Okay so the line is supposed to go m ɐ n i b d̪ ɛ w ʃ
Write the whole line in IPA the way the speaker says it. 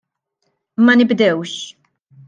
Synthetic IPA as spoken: m ɐ n ɪ b d̪ ɛ w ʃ